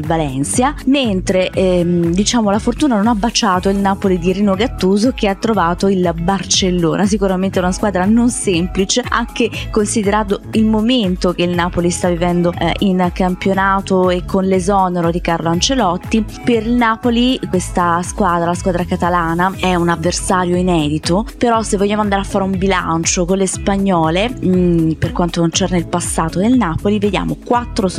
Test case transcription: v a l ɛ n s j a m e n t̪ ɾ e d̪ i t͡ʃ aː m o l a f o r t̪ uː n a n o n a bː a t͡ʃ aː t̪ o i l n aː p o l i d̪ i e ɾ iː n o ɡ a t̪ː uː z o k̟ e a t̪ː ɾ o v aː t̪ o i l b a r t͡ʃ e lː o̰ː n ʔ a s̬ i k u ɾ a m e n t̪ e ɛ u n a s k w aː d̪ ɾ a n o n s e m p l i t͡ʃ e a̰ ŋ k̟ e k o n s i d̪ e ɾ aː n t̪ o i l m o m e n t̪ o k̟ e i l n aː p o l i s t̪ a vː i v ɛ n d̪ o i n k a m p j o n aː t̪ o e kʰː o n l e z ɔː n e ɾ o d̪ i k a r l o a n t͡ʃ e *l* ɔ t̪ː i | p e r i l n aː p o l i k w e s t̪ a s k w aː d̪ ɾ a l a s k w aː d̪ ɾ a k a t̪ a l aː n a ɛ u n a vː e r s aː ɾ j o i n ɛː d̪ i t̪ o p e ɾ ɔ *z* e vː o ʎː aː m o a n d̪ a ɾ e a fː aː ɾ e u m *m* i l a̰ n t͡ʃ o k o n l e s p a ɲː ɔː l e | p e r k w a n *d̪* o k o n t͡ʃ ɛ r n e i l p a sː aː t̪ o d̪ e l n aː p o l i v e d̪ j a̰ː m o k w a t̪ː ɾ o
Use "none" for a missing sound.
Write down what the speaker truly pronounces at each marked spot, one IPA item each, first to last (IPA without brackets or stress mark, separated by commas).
l, s, b, t̪